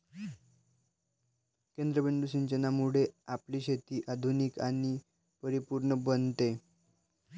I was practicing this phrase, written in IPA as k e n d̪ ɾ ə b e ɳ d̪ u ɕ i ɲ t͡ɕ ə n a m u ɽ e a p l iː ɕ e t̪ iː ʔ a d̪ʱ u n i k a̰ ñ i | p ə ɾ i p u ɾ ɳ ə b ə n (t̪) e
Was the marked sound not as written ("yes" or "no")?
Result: no